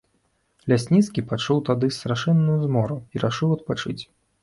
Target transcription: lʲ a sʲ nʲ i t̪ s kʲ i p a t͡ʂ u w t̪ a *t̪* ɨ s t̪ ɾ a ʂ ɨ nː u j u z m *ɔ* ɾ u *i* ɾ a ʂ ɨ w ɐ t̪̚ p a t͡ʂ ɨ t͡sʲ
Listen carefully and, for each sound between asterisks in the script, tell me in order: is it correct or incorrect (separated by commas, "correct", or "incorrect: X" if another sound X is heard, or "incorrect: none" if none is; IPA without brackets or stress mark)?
incorrect: d̪, correct, correct